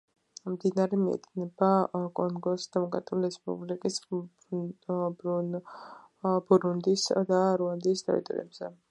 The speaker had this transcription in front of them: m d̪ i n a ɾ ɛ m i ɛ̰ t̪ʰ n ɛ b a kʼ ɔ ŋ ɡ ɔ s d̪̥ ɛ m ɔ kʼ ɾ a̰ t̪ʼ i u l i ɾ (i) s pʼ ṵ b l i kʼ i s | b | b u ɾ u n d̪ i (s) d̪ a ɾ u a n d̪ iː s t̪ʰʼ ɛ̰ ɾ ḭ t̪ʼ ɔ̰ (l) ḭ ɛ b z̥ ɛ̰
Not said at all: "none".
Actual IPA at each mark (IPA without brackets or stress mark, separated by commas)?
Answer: ɛ, s, ɾ